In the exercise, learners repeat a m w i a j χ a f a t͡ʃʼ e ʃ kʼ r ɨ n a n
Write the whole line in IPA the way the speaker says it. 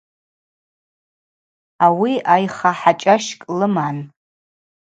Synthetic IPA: a w i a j χ a ħ a t͡ʃʼ a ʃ kʼ l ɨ m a n